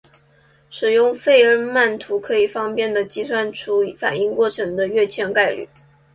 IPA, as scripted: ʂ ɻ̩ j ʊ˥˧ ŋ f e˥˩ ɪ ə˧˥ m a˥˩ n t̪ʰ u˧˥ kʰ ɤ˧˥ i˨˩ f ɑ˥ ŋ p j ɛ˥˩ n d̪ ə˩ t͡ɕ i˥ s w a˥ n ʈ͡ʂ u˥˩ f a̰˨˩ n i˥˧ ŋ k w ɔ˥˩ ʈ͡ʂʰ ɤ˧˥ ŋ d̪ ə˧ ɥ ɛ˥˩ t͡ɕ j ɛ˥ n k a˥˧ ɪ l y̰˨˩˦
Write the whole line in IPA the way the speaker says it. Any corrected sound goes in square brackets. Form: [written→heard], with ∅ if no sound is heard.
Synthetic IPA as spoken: ʂ ɻ̩ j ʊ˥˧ ŋ f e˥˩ ɪ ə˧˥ m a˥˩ n t̪ʰ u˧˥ kʰ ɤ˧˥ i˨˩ f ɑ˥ ŋ p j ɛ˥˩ n d̪ ə˩ t͡ɕ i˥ s w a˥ n [ʈ͡ʂ→ʈ͡ʂʰ] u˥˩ f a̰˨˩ n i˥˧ ŋ k w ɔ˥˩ ʈ͡ʂʰ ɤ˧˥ ŋ d̪ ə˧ ɥ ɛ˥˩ [t͡ɕ→t͡ɕʰ] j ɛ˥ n k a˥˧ ɪ l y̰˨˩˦